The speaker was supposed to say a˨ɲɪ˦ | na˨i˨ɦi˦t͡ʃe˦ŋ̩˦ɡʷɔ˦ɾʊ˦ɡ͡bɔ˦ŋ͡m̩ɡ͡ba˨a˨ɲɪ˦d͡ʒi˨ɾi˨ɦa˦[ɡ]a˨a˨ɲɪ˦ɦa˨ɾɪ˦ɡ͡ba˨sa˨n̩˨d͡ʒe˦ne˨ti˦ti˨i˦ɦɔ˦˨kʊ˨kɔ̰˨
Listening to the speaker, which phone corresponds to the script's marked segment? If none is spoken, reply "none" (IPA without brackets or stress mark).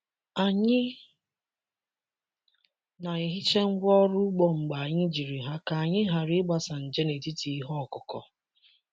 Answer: k